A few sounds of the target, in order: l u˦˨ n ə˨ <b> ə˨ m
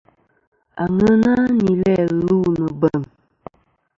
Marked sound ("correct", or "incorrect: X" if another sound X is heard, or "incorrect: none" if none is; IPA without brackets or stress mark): correct